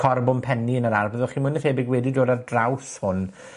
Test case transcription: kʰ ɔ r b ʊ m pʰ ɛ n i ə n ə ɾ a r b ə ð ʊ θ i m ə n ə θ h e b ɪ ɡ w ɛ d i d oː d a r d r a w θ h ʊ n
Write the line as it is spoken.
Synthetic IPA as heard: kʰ ɔ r b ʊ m pʰ ɛ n i ə n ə ɾ a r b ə ð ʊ χ i m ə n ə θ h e b ɪ ɡ w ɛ d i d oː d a r d r a w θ h ʊ n